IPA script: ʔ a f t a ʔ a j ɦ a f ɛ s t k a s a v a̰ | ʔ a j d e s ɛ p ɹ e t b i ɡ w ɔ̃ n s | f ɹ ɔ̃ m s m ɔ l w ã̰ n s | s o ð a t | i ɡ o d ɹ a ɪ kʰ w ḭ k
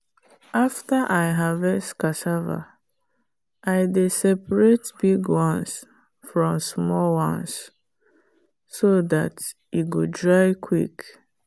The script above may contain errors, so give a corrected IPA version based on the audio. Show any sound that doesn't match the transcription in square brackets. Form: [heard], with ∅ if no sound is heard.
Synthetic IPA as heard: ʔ a f t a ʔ a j ɦ a [v] ɛ s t k a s a v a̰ | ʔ a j d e s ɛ p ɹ e t b i ɡ w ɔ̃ n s | f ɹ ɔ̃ m s m ɔ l w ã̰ n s | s o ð a t | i ɡ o d ɹ a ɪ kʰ w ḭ k